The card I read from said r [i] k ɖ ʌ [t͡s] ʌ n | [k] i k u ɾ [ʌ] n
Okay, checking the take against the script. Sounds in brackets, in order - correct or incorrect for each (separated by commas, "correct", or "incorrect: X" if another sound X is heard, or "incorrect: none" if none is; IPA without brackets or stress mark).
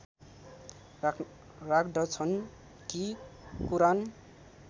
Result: incorrect: a, incorrect: t͡sʰ, correct, incorrect: a